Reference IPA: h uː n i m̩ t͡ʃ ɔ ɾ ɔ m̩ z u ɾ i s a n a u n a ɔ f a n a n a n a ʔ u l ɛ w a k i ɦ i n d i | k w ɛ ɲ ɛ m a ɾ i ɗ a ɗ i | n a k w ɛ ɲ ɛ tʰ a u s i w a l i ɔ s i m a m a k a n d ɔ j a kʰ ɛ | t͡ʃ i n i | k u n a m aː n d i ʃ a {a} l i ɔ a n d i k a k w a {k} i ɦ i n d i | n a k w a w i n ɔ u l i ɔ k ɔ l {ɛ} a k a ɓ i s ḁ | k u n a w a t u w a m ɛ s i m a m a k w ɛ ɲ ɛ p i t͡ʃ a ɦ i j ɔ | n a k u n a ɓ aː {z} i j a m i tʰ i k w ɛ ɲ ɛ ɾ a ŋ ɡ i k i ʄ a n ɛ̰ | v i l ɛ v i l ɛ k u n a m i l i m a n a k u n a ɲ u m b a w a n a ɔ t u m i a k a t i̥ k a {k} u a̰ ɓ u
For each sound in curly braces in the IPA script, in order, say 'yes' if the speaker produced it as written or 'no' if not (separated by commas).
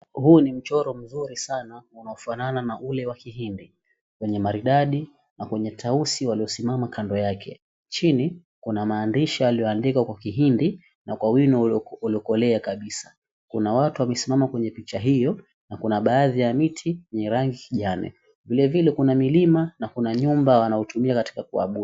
yes, yes, yes, no, yes